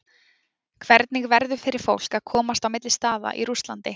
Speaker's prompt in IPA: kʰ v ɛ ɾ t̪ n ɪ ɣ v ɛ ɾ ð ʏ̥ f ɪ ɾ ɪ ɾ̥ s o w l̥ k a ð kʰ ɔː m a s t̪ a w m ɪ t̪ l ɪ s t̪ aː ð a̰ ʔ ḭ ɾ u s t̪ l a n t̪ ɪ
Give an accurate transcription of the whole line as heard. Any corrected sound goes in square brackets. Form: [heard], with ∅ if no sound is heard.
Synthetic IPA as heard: kʰ v ɛ ɾ t̪ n ɪ ɣ v ɛ ɾ ð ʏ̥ f ɪ ɾ ɪ ɾ̥ [f] o w l̥ k a ð kʰ ɔː m a s t̪ a w m ɪ t̪ l ɪ s t̪ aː ð a̰ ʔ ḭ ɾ u s t̪ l a n t̪ ɪ